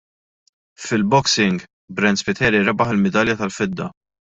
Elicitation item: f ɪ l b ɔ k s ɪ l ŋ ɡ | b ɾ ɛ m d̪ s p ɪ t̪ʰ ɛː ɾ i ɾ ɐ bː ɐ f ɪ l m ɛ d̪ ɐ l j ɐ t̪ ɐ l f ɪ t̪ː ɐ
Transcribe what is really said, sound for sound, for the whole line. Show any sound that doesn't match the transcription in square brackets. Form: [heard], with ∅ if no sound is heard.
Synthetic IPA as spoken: f ɪ l b ɔ k s ɪ [∅] ŋ ɡ | b ɾ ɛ [n] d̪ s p ɪ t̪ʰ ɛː ɾ i ɾ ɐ [b] ɐ [ħ] ɪ l m ɛ d̪ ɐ l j ɐ t̪ ɐ l f ɪ [d̪ː] ɐ